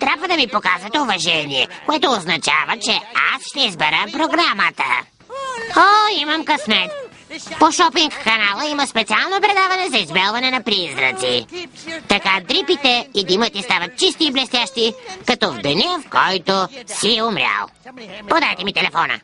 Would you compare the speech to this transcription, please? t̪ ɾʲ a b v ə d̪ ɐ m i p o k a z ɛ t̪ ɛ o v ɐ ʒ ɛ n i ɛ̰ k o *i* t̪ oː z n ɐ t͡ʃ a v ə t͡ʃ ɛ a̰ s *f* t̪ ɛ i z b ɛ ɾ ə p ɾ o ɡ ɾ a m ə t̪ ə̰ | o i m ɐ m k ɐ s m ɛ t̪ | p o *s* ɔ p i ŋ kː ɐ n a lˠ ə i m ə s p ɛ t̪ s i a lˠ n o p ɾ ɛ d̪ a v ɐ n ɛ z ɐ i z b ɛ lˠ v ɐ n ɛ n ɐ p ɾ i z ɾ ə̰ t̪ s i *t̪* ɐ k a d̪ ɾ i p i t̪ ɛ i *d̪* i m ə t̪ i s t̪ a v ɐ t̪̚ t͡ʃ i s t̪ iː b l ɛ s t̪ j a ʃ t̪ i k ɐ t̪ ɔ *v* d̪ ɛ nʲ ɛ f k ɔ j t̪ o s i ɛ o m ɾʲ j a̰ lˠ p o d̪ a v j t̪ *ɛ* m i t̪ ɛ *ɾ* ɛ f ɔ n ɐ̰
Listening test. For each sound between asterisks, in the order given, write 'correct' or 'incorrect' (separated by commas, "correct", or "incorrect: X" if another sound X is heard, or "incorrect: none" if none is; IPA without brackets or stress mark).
incorrect: ɛ, incorrect: ʃ, incorrect: ʃ, correct, correct, correct, correct, incorrect: l